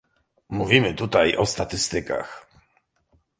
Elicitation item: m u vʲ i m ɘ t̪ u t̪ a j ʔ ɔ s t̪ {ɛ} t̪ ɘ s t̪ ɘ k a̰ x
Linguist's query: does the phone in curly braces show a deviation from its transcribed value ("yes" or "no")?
yes